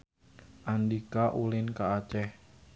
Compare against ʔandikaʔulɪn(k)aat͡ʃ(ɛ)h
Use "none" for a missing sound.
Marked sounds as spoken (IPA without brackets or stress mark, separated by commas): k, ɛ